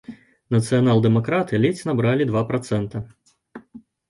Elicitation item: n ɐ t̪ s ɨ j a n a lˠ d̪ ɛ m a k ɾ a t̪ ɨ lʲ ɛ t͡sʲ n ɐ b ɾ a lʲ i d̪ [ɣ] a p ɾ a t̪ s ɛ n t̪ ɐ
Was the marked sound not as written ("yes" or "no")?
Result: yes